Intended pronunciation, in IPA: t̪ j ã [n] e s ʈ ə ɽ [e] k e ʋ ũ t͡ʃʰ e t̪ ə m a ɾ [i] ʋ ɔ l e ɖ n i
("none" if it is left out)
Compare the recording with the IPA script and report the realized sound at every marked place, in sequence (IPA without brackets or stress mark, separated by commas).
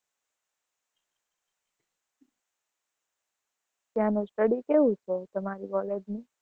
n, i, i